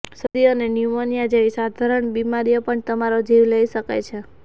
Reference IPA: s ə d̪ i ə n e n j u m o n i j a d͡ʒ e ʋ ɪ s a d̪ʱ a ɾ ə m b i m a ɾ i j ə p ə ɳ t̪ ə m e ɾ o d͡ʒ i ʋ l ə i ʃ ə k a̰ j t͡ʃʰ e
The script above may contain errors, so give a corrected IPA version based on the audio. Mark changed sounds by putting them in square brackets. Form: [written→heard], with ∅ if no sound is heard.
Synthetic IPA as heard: s ə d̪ i ə n e n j u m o n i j a d͡ʒ e ʋ [ɪ→i] s a d̪ʱ a ɾ ə [m→ɳ] b i m a ɾ i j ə p ə ɳ t̪ ə m [e→a] ɾ o d͡ʒ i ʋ l ə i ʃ ə k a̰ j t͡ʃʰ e